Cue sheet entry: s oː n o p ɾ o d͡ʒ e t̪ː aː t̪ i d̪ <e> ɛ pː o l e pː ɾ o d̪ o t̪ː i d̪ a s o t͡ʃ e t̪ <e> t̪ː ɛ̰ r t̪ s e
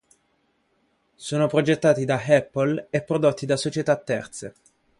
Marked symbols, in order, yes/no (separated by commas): no, no